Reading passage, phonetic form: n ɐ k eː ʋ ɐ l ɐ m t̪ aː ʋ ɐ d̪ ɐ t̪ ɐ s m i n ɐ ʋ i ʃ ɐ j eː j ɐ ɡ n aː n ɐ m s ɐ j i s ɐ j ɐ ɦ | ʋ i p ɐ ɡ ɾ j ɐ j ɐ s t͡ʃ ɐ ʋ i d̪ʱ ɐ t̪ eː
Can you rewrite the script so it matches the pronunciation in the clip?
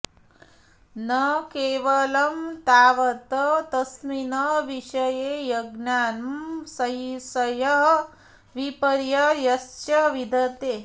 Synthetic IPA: n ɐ k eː ʋ ɐ l ɐ m t̪ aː ʋ ɐ t̪ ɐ t̪ ɐ s m i n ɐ ʋ i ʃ ɐ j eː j ɐ ɡ n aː n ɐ m s ɐ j i s ɐ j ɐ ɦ | ʋ i p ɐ ɾ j ɐ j ɐ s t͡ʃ ɐ ʋ i d̪ʱ ɐ t̪ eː